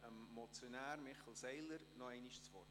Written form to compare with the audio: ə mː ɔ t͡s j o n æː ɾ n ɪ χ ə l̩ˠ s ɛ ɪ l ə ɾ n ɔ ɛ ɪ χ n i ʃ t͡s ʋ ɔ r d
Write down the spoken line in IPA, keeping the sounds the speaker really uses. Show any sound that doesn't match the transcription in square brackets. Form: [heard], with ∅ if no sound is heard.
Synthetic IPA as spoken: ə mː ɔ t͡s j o n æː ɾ [m] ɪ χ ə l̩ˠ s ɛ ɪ l ə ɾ n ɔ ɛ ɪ [∅] n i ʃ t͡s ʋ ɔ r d